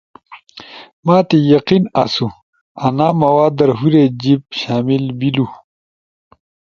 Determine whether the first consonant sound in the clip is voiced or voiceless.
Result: voiced